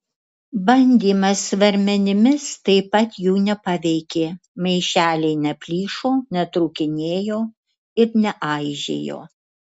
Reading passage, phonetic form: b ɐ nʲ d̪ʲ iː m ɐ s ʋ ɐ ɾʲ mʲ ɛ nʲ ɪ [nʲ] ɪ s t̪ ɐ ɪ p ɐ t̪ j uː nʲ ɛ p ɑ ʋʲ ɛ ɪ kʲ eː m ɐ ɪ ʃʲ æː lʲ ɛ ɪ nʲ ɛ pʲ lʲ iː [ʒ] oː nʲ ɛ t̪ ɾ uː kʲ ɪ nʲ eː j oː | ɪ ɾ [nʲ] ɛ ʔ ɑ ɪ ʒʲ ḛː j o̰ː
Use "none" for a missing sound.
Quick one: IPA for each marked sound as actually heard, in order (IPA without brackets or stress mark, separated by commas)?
mʲ, ʃ, nʲ